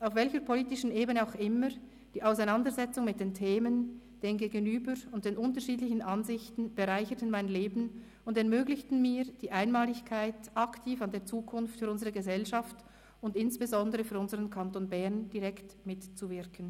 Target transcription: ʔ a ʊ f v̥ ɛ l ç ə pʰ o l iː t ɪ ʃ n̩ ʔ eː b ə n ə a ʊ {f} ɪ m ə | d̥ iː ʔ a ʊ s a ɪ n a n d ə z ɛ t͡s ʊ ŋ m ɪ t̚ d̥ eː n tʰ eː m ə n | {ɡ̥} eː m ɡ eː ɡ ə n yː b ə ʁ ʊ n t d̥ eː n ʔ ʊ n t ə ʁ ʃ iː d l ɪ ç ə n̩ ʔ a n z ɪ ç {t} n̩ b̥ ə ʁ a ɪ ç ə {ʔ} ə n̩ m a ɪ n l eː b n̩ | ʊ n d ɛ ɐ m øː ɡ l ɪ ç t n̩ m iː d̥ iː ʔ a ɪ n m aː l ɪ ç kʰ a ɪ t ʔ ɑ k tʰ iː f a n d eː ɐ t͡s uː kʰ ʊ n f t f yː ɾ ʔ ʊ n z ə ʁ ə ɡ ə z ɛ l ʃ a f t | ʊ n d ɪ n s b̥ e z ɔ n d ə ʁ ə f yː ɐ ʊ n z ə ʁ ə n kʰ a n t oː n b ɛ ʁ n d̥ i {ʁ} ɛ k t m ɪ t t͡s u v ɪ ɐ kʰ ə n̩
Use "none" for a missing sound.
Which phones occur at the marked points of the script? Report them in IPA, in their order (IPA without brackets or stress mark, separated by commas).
x, d̥, t, t, ʁ